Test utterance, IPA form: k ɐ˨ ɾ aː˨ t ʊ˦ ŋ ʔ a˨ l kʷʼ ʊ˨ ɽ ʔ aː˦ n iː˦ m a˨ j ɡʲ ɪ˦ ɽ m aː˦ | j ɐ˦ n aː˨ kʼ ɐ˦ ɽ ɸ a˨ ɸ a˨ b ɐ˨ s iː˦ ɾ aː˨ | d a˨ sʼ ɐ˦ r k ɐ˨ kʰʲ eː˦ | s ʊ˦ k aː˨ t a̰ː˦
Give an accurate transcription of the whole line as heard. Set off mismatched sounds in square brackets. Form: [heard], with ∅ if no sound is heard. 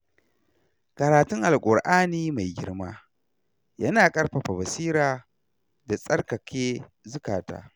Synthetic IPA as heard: k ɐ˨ ɾ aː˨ t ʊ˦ ŋ ʔ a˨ l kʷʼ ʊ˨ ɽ ʔ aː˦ n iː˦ m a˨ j ɡʲ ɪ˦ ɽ m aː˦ | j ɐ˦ n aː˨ kʼ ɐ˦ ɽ ɸ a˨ ɸ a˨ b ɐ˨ s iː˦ ɾ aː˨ | d a˨ sʼ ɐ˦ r k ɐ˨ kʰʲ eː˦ | [z] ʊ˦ k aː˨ t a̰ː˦